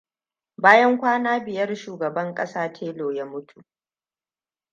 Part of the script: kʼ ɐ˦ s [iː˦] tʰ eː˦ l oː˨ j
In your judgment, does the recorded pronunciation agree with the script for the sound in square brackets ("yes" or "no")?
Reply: no